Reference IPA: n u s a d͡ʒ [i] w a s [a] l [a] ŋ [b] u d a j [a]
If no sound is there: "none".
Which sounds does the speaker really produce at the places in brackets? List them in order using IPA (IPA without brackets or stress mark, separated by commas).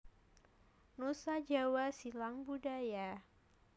a, i, a, b, a